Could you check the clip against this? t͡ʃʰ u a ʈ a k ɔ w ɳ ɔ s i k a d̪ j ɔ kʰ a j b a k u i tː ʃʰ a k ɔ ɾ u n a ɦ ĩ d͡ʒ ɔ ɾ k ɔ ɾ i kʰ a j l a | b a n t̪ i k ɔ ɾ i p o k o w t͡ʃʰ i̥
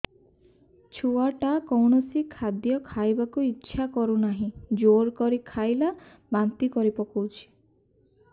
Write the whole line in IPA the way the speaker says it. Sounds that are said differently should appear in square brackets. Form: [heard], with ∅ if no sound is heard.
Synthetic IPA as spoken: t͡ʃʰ u a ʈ a k ɔ w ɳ ɔ s i [kʰ] a d̪ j ɔ kʰ a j b a k u i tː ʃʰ a k ɔ ɾ u n a ɦ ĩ d͡ʒ [o] ɾ k ɔ ɾ i kʰ a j l a | b a n t̪ i k ɔ ɾ i p [ɔ] k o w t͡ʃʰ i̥